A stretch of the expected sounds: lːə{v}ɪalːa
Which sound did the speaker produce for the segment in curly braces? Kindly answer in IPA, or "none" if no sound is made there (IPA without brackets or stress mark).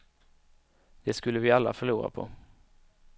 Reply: v